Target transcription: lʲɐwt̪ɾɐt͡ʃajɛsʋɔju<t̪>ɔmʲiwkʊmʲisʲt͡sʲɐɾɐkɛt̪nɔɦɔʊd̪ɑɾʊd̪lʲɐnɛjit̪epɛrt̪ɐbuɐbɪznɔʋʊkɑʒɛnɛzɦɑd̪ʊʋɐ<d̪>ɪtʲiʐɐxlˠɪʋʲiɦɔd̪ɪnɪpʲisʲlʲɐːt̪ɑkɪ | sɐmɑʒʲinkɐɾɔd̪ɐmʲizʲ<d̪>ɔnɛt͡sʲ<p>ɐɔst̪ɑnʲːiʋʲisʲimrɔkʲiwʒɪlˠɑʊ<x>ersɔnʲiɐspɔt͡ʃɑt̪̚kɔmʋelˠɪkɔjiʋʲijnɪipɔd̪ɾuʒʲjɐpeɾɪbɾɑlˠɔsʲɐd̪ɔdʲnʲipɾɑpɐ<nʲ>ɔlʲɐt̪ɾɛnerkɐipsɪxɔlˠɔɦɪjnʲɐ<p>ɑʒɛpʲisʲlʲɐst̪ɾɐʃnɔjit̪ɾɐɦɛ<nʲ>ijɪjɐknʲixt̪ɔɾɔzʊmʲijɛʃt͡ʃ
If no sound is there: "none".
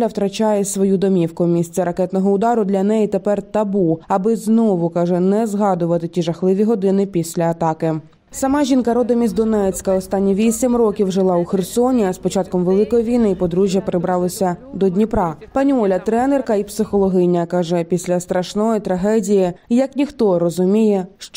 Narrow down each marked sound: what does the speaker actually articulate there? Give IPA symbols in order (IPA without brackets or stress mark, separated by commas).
d̪, t̪, d̪, k, x, nʲ, k, dʲ